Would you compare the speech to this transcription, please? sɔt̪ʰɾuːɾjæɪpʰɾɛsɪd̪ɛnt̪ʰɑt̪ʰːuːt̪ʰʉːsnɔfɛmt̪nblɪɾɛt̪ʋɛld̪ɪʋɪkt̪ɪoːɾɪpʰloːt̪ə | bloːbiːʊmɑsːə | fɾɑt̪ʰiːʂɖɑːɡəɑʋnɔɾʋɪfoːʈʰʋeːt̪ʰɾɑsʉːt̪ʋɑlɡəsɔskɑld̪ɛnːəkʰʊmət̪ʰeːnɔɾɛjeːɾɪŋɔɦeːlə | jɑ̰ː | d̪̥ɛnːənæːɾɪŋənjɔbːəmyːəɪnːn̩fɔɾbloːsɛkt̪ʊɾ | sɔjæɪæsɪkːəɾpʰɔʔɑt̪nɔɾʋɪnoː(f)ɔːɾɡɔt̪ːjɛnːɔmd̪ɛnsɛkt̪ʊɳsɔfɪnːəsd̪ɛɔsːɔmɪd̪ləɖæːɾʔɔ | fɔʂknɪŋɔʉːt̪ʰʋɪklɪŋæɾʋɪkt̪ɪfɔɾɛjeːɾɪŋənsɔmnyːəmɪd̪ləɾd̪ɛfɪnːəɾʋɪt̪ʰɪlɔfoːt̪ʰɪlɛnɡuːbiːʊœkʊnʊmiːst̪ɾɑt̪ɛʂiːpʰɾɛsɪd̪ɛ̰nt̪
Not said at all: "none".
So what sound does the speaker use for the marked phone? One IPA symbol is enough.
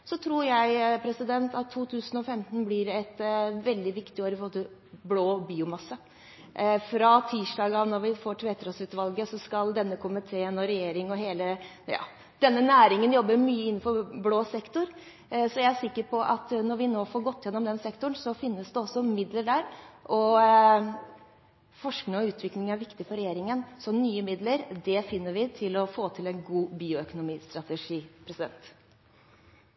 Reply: f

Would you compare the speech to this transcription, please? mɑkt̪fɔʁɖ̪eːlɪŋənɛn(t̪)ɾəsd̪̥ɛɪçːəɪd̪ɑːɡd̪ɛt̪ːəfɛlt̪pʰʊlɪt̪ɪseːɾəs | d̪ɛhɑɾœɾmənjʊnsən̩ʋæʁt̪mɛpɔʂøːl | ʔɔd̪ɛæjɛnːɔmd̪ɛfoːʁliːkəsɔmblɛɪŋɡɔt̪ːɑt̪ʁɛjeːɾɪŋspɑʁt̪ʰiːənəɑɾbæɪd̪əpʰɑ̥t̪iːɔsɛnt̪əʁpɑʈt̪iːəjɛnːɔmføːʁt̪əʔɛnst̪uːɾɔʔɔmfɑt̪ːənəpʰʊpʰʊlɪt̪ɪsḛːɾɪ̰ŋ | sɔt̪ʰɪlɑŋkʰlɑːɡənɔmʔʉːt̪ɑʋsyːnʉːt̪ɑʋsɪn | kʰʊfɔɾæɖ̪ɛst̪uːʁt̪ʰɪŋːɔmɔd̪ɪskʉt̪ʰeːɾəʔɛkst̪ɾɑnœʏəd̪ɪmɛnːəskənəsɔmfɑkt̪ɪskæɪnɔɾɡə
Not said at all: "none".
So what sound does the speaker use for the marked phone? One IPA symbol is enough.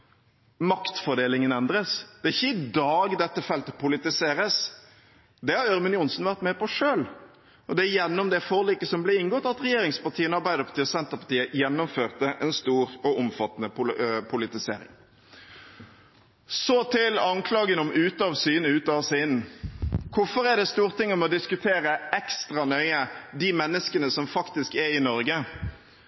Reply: d̪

